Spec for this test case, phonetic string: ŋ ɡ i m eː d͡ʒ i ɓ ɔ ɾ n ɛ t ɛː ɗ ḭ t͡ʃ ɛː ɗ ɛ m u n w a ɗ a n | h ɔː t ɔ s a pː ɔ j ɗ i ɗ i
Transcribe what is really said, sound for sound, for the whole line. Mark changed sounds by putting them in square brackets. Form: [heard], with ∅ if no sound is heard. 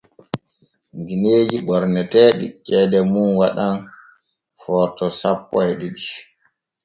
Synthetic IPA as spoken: ŋ ɡ i [n] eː d͡ʒ i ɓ ɔ ɾ n ɛ t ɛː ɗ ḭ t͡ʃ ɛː [d] ɛ m u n w a ɗ a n | [f] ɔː t ɔ s a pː ɔ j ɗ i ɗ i

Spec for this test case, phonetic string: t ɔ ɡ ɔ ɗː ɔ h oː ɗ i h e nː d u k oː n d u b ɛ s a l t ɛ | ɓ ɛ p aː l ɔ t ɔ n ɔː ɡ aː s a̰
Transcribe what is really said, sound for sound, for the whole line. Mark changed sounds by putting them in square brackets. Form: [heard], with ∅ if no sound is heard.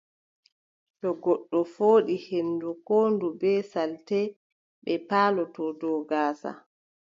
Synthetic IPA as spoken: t ɔ ɡ ɔ ɗː ɔ [f] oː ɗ i h e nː d u k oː n d u b ɛ s a l t ɛ | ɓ ɛ p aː l ɔ t ɔ [d] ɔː ɡ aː s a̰

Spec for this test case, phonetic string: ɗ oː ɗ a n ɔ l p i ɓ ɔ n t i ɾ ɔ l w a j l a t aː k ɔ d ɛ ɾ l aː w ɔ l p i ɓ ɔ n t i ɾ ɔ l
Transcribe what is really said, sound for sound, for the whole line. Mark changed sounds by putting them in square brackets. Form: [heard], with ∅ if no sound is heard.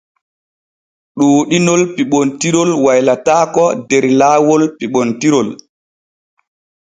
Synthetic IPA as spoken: ɗ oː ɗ [i] n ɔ l p i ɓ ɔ n t i ɾ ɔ l w a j l a t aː k ɔ d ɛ ɾ l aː w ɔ l p i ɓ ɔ n t i ɾ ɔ l

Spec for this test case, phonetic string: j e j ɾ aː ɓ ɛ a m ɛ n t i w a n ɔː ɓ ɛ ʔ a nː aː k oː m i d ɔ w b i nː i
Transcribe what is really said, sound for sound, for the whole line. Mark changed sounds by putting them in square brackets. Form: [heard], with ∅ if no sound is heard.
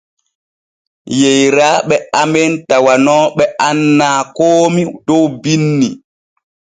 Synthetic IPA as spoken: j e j ɾ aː ɓ ɛ a m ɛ n t [a] w a n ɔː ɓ ɛ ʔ a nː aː k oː m i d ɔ w b i nː i

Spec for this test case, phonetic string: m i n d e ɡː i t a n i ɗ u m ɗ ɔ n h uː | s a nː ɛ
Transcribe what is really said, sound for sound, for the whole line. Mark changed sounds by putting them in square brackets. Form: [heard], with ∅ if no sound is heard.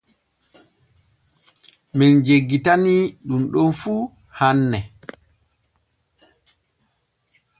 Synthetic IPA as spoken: m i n [d͡ʒ] e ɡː i t a n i ɗ u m ɗ ɔ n [f] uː | [h] a nː ɛ

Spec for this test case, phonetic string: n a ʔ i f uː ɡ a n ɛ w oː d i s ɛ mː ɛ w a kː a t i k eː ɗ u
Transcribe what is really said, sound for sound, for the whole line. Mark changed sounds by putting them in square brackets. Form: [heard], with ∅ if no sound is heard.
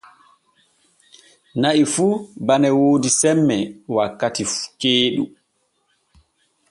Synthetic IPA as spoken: n a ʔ i f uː [b] a n ɛ w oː d i s ɛ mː ɛ w a kː a t i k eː ɗ u

